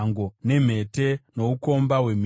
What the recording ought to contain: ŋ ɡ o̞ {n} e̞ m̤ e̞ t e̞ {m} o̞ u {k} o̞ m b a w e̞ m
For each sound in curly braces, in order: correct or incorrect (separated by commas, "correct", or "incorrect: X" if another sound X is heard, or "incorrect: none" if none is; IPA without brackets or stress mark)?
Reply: correct, incorrect: n, correct